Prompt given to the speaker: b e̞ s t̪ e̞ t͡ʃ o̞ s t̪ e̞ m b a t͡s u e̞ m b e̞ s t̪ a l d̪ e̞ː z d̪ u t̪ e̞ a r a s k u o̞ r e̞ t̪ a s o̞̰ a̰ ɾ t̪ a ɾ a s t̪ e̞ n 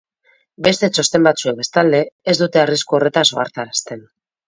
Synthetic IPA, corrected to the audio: b e̞ s t̪ e̞ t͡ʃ o̞ s t̪ e̞ m b a t͡s u e̞ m b e̞ s t̪ a l d̪ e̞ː z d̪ u t̪ e̞ a r i s k u o̞ r e̞ t̪ a s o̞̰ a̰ ɾ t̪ a ɾ a s t̪ e̞ n